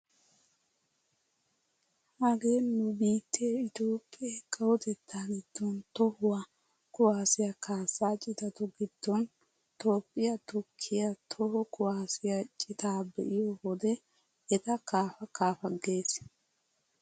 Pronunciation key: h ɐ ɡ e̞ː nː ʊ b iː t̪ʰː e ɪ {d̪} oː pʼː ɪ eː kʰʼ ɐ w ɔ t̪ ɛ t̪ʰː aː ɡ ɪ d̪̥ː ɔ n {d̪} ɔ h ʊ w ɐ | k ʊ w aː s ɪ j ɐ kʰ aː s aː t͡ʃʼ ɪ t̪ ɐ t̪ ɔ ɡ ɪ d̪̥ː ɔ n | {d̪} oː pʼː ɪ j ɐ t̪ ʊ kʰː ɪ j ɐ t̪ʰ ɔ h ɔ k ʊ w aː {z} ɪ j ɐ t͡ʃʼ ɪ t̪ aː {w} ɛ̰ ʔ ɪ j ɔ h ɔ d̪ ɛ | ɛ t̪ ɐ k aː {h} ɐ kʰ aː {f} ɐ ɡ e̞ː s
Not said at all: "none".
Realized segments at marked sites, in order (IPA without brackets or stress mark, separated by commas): t̪, t̪, t̪, s, b, f, f